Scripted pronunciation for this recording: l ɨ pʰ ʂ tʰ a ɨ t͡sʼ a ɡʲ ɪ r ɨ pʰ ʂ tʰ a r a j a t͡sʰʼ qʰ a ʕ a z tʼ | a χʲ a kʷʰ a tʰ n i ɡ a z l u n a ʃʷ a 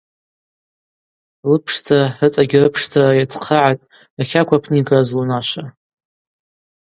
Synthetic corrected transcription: l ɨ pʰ ʂ tʰ a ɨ t͡sʼ a ɡʲ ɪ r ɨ pʰ ʂ tʰ a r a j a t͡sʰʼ qʰ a ʕ a tʼ | a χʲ a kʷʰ a pʰ n i ɡ a z l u n a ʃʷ a